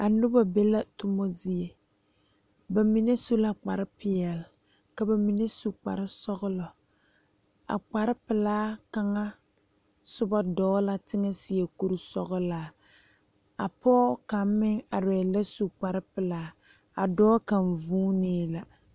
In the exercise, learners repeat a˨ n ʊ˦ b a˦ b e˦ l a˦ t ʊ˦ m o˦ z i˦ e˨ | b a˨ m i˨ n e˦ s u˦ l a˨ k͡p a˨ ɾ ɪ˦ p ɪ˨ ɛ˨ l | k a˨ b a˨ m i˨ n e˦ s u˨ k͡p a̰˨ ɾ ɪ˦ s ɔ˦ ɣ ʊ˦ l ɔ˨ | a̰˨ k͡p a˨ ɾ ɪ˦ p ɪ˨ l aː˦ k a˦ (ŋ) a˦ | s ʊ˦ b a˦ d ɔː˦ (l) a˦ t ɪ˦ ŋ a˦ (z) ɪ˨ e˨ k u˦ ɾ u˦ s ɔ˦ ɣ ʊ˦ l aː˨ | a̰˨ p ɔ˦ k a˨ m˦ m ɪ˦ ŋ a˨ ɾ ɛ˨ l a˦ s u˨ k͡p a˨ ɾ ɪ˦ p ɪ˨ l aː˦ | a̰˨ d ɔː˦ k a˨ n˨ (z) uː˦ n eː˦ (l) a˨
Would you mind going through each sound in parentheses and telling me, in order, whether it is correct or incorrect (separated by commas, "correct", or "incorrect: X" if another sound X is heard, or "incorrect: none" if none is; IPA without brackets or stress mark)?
correct, correct, incorrect: s, incorrect: v, correct